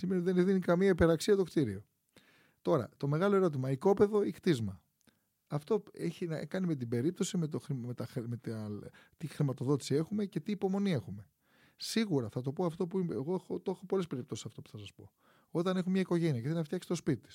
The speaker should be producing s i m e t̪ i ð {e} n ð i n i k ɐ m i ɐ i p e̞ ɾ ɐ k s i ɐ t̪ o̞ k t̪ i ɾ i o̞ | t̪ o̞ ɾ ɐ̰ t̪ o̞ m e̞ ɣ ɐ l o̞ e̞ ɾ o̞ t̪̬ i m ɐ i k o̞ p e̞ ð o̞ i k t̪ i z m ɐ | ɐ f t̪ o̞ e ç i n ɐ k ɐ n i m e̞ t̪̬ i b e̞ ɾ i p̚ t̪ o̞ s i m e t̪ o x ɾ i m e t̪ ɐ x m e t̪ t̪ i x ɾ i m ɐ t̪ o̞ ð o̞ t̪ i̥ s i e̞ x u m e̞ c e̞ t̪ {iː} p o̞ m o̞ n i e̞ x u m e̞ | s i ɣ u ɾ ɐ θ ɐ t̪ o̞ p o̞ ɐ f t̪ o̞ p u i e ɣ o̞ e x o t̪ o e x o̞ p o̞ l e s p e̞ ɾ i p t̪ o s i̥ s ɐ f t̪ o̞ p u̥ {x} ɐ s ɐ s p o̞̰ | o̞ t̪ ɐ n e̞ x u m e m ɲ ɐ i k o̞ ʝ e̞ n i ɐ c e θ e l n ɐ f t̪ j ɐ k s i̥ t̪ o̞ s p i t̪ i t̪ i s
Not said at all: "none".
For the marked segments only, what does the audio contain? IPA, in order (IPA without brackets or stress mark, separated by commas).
e, iː, θ